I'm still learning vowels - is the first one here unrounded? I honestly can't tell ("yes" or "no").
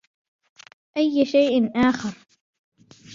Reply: yes